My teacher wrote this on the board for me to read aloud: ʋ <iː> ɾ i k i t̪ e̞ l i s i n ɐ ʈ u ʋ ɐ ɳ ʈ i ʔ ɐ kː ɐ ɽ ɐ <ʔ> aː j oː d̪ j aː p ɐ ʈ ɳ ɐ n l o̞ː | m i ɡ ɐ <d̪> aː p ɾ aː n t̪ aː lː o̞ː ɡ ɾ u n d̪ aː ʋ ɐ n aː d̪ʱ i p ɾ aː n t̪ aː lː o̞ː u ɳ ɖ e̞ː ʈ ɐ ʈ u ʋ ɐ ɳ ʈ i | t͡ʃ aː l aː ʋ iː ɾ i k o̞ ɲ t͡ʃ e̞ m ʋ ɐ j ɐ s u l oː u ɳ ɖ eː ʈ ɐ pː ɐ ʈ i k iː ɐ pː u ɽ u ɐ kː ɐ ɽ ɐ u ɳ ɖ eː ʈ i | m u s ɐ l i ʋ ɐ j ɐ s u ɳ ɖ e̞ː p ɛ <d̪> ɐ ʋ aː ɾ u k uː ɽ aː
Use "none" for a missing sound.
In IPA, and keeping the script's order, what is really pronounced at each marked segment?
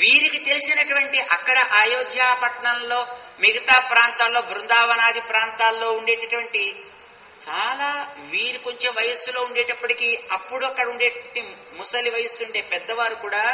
iː, ʔ, t̪, d̪ː

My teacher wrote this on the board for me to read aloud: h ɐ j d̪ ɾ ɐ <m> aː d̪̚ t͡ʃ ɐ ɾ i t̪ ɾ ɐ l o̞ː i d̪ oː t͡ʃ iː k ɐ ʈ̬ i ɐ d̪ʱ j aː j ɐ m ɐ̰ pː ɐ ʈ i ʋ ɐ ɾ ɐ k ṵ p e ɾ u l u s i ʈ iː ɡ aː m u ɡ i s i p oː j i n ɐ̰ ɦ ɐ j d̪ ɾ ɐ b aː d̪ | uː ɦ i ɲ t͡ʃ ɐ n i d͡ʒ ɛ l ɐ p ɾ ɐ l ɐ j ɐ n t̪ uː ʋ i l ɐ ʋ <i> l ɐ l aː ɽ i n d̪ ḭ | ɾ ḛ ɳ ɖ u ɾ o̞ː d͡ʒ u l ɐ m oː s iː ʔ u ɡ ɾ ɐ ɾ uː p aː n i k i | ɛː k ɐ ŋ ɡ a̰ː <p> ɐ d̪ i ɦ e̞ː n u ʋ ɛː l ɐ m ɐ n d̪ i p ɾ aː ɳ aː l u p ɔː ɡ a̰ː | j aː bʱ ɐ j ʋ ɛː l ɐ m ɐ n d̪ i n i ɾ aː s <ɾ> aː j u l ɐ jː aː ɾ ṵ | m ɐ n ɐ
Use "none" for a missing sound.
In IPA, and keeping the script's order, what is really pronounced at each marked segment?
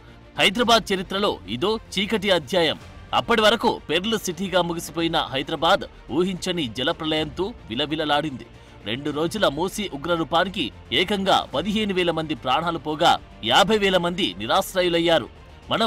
b, i, p, ɾ

